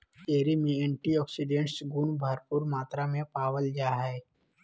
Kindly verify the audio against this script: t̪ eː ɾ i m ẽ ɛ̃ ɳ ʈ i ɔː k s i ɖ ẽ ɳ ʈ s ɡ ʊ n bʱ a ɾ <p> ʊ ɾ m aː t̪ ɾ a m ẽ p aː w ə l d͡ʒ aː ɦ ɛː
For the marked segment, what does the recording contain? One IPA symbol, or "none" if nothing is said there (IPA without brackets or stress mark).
p